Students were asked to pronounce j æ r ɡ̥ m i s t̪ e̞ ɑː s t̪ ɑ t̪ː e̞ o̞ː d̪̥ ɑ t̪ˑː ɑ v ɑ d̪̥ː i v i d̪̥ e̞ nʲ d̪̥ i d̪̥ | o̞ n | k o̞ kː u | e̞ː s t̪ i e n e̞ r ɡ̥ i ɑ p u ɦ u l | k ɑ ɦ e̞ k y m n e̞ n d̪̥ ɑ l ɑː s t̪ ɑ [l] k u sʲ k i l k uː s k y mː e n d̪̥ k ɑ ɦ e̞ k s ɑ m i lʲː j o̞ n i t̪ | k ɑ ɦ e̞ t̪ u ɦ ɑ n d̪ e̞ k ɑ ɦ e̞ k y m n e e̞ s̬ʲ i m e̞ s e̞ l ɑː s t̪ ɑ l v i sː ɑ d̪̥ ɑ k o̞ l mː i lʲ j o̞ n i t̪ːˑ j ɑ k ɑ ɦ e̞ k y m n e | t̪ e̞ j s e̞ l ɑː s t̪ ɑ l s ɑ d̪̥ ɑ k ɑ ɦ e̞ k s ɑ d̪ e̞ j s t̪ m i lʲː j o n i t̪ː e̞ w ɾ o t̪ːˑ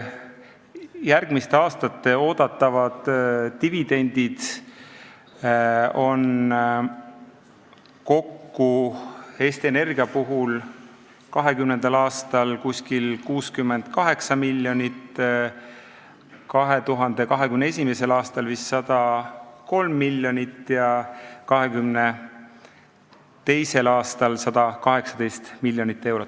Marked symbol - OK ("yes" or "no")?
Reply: yes